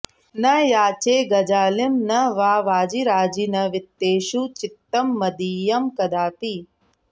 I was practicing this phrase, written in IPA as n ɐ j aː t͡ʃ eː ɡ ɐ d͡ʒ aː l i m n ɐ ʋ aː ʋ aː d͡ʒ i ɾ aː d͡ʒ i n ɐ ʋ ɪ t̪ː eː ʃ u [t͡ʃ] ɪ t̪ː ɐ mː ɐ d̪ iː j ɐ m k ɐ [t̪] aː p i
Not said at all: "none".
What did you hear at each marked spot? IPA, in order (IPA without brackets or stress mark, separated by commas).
t͡ʃ, d̪